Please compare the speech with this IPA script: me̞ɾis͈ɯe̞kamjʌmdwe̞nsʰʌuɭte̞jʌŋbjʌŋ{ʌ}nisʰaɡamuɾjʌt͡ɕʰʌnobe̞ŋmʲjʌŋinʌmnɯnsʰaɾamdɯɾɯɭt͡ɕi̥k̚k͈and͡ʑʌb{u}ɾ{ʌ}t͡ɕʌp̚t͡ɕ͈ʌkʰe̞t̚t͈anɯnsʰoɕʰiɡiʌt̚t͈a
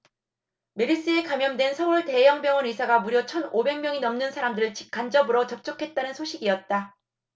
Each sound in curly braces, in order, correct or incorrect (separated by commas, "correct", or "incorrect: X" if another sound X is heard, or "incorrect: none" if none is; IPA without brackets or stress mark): correct, incorrect: ɯ, correct